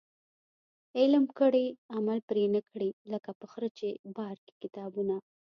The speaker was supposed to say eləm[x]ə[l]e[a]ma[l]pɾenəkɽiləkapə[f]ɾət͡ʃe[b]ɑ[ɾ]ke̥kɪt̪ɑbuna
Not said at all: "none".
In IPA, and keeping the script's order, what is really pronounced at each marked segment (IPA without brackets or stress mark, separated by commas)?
k, ɽ, a, l, x, b, ɾ